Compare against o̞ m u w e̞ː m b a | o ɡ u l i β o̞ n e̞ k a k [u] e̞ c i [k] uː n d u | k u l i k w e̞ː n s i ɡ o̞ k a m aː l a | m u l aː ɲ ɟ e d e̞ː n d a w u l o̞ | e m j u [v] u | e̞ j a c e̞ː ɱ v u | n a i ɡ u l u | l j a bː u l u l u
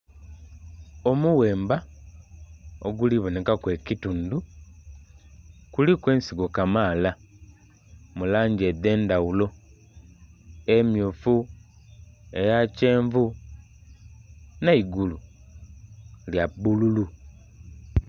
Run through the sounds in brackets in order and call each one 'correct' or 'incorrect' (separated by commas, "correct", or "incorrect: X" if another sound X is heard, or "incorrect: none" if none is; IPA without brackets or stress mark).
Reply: incorrect: w, incorrect: t, incorrect: f